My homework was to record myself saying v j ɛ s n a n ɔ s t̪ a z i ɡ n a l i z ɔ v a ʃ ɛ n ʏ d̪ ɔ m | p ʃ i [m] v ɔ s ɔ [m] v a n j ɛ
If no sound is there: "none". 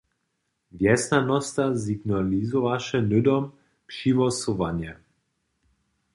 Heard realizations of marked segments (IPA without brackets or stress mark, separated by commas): none, none